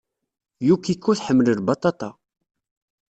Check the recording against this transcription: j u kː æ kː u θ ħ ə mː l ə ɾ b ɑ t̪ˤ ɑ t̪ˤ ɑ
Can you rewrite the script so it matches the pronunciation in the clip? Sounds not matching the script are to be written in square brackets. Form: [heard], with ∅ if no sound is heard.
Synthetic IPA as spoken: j u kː [i] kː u θ ħ ə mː l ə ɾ b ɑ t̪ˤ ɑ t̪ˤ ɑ